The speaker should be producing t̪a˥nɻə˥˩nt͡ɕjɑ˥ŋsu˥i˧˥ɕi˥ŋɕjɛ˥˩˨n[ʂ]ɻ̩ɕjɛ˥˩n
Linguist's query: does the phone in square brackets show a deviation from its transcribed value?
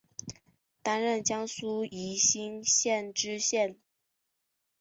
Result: yes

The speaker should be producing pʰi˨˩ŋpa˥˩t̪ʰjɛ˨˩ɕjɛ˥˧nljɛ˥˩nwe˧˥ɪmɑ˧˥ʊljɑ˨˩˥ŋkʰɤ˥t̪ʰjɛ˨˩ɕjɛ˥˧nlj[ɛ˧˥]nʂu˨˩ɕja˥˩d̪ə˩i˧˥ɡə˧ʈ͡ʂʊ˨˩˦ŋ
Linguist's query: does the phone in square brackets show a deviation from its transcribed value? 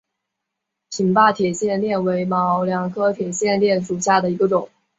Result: yes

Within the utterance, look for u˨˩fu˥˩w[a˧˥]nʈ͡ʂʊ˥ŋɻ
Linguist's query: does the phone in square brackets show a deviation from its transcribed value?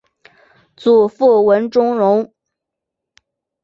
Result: yes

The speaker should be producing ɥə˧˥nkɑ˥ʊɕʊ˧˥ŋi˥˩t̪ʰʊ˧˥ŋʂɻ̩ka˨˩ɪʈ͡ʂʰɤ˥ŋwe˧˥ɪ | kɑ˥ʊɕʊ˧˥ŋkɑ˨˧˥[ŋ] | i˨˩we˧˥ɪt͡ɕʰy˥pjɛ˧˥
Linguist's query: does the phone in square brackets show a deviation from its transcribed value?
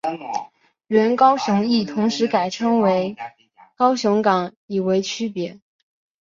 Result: no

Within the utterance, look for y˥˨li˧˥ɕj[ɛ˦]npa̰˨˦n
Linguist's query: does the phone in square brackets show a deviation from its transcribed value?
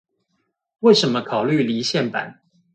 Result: yes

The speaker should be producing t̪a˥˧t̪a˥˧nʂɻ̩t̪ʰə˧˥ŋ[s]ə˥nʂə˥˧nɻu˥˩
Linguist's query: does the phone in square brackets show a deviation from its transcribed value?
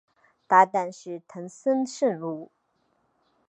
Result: no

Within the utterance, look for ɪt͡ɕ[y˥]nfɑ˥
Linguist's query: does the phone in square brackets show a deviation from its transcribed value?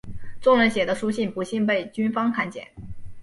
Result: no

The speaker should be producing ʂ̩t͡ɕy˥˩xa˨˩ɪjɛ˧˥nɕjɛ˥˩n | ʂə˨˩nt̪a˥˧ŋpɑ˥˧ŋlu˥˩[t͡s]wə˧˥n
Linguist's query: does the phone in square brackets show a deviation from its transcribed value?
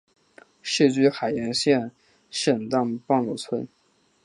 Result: yes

